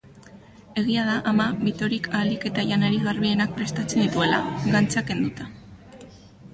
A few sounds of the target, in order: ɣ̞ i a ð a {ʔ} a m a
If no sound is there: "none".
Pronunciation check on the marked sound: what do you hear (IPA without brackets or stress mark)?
ʔ